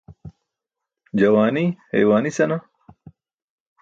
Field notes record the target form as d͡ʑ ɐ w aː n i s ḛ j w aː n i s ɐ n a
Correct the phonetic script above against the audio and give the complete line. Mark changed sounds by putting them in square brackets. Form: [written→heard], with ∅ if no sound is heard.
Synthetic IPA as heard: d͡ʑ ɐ w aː n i [s→h] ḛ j w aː n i s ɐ n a